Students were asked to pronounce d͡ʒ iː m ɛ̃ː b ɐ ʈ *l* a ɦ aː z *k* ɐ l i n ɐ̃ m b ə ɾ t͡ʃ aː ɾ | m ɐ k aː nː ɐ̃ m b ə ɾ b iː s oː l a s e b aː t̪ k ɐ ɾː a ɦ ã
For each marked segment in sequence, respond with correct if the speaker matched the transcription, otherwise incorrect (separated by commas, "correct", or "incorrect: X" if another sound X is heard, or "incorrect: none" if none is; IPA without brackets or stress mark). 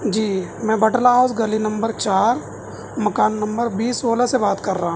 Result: correct, incorrect: ɡ